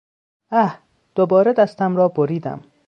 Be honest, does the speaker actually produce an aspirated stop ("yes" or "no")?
no